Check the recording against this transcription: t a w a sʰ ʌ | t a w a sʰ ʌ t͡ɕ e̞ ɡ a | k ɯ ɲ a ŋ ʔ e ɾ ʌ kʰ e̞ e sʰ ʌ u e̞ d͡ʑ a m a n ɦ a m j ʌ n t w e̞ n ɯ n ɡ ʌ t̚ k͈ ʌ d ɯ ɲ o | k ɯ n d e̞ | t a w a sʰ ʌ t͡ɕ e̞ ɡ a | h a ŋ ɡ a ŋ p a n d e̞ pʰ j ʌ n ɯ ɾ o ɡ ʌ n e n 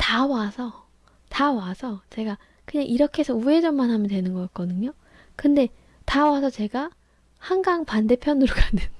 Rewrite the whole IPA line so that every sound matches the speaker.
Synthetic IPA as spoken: t a w a sʰ ʌ | t a w a sʰ ʌ t͡ɕ e̞ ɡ a | k ɯ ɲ a ŋ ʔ i ɾ ʌ kʰ e̞ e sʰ ʌ u e̞ d͡ʑ ʌ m a n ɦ a m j ʌ n t w e̞ n ɯ n ɡ ʌ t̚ k͈ ʌ d ɯ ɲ o | k ɯ n d e̞ | t a w a sʰ ʌ t͡ɕ e̞ ɡ a | h a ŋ ɡ a ŋ p a n d e̞ pʰ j ʌ n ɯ ɾ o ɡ a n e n